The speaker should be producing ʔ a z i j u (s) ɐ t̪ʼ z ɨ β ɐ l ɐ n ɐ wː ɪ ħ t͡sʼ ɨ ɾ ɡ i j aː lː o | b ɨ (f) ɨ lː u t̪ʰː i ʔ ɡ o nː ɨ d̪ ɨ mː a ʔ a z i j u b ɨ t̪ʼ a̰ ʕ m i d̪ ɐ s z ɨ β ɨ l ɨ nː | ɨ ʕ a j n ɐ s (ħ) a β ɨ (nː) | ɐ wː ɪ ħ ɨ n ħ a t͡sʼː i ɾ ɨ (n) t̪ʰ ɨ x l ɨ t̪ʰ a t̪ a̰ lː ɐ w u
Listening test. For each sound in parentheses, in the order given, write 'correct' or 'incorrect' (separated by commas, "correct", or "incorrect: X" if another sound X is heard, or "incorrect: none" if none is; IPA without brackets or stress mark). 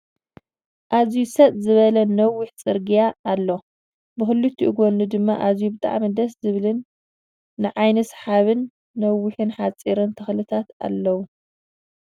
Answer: correct, incorrect: x, correct, correct, correct